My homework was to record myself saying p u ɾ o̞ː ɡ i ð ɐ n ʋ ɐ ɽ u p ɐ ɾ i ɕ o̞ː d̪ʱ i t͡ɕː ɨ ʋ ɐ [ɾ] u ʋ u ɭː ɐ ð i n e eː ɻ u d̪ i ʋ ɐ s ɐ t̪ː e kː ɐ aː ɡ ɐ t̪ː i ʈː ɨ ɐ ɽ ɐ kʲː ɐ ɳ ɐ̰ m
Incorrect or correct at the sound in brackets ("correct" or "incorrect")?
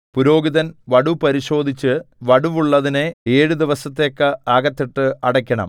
incorrect